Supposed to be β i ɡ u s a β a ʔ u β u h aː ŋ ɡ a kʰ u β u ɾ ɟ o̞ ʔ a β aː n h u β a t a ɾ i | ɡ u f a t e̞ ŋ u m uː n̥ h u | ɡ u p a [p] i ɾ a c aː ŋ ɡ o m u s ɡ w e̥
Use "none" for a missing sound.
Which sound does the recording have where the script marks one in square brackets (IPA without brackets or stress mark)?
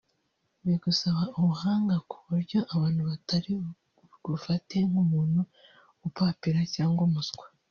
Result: p